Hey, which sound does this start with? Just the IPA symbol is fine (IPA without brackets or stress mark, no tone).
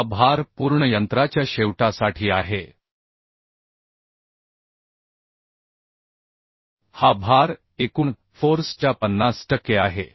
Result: bʱ